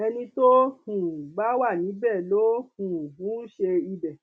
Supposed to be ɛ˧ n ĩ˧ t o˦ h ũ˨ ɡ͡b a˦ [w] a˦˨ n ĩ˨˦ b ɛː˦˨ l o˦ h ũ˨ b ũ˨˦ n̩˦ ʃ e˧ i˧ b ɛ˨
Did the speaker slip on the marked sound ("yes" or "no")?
no